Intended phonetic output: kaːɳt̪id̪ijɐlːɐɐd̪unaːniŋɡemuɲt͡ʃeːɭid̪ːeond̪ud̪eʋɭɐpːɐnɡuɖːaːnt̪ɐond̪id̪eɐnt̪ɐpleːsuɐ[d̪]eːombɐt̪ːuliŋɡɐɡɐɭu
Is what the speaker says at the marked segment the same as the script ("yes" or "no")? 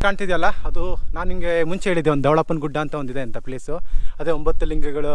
yes